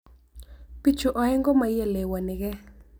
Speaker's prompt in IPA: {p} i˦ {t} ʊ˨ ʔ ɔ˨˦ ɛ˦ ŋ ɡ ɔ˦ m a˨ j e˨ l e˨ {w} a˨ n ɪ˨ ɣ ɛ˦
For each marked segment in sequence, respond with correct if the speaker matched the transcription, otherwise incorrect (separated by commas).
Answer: correct, incorrect, correct